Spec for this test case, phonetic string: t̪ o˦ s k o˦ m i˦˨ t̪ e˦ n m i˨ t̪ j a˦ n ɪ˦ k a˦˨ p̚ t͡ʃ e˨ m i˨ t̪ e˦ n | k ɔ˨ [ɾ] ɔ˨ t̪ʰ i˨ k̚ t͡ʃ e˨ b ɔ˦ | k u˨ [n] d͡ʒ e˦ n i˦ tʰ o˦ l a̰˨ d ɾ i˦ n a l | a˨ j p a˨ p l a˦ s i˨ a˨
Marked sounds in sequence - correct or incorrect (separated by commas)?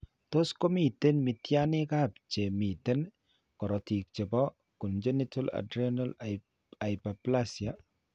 correct, correct